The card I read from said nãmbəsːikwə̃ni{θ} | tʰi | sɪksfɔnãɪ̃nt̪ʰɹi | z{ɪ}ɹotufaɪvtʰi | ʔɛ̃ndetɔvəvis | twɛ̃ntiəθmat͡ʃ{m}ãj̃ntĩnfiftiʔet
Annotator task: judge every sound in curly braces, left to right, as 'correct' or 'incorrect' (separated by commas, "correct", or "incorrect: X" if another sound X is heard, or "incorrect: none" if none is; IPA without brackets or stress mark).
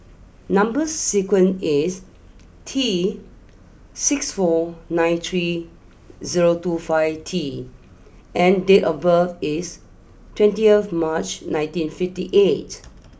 incorrect: s, incorrect: i, incorrect: n